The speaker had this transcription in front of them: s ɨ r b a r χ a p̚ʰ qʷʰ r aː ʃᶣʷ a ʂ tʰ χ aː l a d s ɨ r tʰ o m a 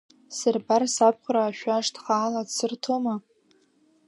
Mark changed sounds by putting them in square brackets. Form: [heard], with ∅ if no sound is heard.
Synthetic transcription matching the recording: s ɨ r b a r [s] a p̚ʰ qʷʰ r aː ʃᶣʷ a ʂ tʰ χ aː l a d s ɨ r tʰ o m a